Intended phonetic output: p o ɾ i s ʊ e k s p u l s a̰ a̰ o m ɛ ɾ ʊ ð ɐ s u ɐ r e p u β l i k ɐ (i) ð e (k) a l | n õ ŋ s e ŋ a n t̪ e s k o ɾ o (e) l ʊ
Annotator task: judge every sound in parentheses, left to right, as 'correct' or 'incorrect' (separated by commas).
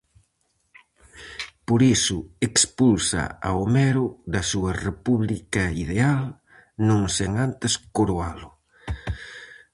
correct, incorrect, incorrect